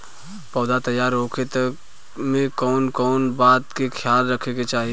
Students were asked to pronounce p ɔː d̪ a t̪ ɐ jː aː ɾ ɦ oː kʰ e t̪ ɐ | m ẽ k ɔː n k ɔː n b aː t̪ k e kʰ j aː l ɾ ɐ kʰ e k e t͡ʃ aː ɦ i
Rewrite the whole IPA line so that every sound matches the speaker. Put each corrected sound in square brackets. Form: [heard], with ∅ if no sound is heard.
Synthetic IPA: p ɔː d̪ a t̪ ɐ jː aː ɾ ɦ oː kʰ e t̪ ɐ | m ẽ k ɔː n k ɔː n b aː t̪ k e kʰ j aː l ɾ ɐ kʰ e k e t͡ʃ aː ɦ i

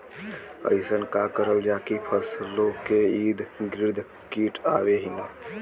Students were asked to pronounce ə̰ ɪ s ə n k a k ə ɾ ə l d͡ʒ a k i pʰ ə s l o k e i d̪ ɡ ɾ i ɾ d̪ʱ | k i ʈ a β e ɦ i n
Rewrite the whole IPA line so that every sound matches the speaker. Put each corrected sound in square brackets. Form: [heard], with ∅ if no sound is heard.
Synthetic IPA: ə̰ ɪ s ə n k a k ə ɾ ə l d͡ʒ a k i pʰ ə s l o k e i d̪ ɡ ɾ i ɾ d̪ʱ | k i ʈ a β e ɦ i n

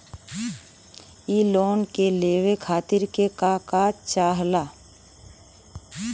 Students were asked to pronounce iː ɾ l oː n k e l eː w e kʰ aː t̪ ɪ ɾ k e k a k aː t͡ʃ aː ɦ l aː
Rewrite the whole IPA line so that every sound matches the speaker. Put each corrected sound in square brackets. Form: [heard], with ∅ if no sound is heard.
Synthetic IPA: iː [∅] l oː n k e l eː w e kʰ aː t̪ ɪ ɾ k e k a k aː t͡ʃ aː ɦ l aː

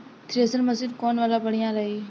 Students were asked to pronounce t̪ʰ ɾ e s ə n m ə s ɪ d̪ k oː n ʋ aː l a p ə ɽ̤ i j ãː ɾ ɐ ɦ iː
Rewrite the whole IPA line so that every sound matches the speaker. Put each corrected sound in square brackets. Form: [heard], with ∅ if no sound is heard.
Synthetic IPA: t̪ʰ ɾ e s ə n m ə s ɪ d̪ k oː n ʋ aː l a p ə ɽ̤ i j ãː ɾ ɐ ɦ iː

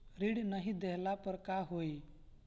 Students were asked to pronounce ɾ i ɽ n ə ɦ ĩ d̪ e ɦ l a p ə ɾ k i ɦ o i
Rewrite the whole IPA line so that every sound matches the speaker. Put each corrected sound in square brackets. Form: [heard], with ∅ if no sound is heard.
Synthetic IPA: ɾ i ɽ n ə ɦ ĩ d̪ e ɦ l a p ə ɾ k [a] ɦ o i

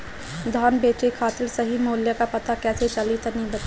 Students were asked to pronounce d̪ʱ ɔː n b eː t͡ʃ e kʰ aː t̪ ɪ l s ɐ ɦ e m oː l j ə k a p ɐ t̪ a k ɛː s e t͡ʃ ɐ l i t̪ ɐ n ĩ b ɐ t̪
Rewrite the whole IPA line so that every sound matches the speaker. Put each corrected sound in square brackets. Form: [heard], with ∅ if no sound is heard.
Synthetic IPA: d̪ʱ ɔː n b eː t͡ʃ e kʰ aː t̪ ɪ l s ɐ ɦ [i] m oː l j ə k a p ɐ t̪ a k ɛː s e t͡ʃ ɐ l i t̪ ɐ n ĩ b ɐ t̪

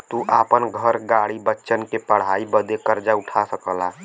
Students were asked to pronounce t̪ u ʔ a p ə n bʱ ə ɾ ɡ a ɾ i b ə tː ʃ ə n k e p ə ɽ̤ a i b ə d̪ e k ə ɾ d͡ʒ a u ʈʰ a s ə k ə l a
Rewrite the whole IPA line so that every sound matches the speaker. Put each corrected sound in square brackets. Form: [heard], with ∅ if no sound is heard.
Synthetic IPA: t̪ u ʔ a p ə n [ɡʱ] ə ɾ ɡ a [ɽ] i b ə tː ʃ ə n k e p ə ɽ̤ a i b ə d̪ e k ə ɾ d͡ʒ a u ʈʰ a s ə k ə l a

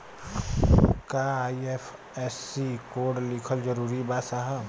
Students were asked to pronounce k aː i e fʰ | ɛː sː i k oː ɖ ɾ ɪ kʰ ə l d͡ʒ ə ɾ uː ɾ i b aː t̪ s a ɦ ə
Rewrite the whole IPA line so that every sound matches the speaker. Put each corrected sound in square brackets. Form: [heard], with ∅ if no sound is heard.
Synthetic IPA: k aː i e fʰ | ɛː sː i k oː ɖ [l] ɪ kʰ ə l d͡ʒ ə ɾ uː ɾ i b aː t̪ s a ɦ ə

